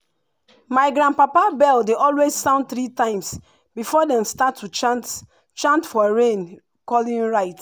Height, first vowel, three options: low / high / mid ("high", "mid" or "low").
low